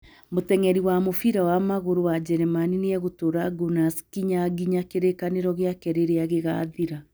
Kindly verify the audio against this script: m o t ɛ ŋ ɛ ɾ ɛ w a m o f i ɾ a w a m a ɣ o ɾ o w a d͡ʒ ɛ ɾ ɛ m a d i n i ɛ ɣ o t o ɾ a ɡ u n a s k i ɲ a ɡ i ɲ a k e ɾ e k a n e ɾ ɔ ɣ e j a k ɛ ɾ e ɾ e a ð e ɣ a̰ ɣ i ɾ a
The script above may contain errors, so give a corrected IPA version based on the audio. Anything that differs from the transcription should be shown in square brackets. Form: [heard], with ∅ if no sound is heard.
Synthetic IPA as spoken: m o t ɛ ŋ ɛ ɾ [i] w a m o f i ɾ a w a m a ɣ o ɾ o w a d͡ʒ ɛ ɾ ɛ m a [n] i n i ɛ ɣ o t o ɾ a ɡ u n a s k i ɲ a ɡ i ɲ a k e ɾ e k a n e ɾ ɔ ɣ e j a k ɛ ɾ e ɾ e a [ɣ] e ɣ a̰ [ð] i ɾ a